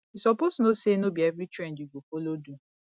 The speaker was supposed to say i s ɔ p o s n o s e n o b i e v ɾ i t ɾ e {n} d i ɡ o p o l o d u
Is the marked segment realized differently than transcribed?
no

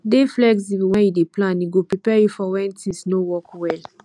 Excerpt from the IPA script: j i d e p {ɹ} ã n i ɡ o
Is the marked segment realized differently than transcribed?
yes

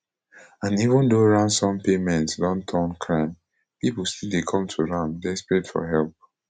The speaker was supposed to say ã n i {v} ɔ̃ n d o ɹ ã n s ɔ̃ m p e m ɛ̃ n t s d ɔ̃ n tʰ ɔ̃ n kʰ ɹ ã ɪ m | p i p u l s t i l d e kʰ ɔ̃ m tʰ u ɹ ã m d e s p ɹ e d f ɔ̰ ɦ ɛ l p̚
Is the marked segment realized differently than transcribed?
no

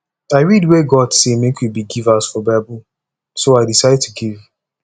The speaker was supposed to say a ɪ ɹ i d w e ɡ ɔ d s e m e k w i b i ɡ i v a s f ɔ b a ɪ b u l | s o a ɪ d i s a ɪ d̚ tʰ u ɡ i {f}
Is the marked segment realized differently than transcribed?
yes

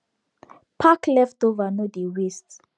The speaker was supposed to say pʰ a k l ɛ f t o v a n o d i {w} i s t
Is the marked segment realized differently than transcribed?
no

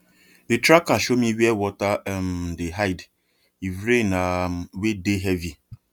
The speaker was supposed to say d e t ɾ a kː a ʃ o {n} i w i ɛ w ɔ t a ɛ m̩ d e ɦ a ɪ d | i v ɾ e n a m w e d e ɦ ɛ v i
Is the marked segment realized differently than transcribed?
yes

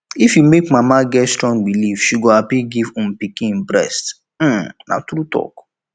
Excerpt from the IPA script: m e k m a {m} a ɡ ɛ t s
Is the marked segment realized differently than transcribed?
no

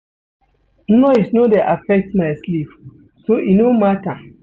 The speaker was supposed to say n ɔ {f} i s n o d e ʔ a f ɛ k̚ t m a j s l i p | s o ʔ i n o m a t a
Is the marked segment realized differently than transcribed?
yes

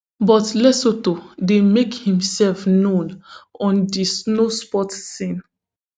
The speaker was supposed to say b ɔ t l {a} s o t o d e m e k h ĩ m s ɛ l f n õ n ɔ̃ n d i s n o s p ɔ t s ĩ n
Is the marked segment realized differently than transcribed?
yes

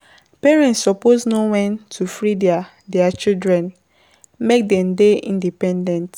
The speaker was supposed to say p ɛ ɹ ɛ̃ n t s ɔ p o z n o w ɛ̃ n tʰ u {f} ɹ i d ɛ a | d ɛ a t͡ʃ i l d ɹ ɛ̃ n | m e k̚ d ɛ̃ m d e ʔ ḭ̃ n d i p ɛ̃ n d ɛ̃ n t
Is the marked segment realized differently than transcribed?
no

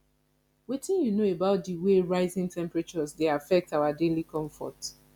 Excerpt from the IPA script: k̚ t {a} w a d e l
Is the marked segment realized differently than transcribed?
no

